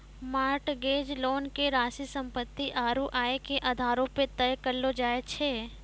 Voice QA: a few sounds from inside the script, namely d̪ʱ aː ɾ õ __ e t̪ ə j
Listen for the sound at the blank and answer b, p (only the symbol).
p